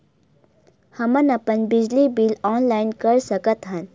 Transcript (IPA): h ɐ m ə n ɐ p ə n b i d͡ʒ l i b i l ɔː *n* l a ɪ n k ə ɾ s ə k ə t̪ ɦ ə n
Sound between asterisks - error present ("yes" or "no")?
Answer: no